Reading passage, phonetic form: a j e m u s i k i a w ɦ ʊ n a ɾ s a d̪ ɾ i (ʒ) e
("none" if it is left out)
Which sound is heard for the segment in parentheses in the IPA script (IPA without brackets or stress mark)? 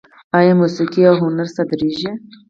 ʒ